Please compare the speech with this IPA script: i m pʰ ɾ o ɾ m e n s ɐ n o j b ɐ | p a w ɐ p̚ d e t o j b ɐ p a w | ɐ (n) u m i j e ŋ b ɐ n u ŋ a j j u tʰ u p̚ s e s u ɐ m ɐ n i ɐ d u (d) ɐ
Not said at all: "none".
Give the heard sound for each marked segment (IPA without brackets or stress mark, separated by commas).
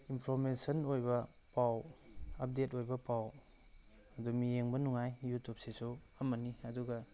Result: d, ɡ